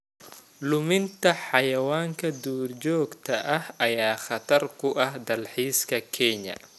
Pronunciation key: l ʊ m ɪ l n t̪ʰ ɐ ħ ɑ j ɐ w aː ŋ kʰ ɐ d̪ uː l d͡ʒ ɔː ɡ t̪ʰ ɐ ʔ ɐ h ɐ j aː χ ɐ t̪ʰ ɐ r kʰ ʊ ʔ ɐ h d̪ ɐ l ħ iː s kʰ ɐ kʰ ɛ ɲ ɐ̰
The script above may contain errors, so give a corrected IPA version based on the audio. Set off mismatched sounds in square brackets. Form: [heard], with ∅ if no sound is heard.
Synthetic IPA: l ʊ m ɪ [∅] n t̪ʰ ɐ ħ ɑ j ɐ w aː ŋ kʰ ɐ d̪ uː [r] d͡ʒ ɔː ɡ t̪ʰ ɐ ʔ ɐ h ɐ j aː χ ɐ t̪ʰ ɐ r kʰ ʊ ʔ ɐ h d̪ ɐ l ħ iː s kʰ ɐ kʰ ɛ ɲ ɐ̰